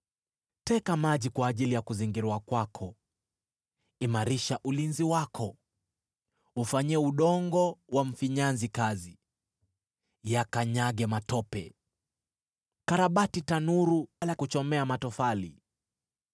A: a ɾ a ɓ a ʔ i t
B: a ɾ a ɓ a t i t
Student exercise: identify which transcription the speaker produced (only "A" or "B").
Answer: B